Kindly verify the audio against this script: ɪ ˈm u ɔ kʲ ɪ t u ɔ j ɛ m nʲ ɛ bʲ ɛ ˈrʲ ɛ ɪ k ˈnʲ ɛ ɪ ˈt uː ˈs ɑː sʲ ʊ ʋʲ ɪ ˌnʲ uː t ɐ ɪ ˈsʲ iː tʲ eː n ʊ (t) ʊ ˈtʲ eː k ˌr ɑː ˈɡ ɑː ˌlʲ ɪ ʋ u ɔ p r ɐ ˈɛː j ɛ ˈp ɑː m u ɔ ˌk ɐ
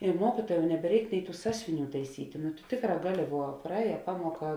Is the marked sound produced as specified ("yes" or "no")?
yes